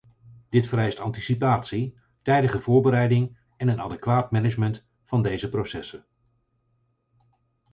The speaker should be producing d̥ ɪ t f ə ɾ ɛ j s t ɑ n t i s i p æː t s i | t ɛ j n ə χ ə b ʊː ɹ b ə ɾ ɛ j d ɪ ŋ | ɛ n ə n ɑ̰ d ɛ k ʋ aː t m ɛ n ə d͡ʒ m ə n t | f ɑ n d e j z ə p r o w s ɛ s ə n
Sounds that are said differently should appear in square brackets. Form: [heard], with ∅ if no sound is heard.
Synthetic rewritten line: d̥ ɪ t f ə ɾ ɛ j s t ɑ n t i s i p [aː] t s i | t ɛ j [d] ə χ ə [v] ʊː ɹ b ə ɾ ɛ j d ɪ ŋ | ɛ n ə n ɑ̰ d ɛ k ʋ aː t m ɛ n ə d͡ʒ m ə n t | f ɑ n d e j z ə p r o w s ɛ s ə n